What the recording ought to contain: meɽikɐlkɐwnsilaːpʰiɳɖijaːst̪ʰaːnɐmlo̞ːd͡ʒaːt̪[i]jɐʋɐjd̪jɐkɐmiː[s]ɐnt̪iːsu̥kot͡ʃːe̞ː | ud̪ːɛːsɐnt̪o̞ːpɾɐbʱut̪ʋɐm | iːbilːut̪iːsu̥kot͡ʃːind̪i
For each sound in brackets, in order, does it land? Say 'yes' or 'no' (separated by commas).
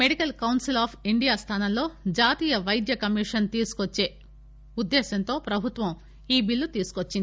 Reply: no, no